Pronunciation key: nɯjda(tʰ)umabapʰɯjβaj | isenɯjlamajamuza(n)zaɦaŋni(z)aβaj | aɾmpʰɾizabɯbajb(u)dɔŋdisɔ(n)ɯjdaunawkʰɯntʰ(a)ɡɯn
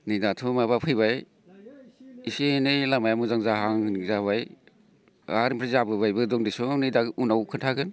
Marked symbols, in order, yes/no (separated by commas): yes, no, yes, no, yes, yes